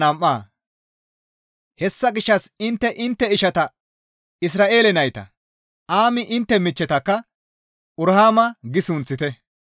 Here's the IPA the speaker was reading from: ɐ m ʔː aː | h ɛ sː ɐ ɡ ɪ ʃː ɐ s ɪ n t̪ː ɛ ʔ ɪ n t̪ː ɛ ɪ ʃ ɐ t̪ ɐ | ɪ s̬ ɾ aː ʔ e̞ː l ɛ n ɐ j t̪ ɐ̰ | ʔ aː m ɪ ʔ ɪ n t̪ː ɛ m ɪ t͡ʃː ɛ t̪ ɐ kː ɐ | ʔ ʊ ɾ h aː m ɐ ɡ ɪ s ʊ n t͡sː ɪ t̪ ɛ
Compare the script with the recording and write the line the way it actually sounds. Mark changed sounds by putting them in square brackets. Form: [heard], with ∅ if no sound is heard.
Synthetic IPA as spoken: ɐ m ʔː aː | h ɛ sː ɐ ɡ ɪ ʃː ɐ s ɪ n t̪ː ɛ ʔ ɪ n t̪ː ɛ ɪ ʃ ɐ t̪ ɐ | ɪ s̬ ɾ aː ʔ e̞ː l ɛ n ɐ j t̪ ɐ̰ | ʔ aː m ɪ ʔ ɪ n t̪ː ɛ m ɪ t͡ʃː ɛ t̪ ɐ kː ɐ | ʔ ʊ ɾ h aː m ɐ ɡ ɪ s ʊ n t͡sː ɪ t̪ ɛ